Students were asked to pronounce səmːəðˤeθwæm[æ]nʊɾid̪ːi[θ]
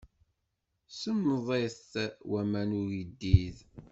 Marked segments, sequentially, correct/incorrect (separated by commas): correct, incorrect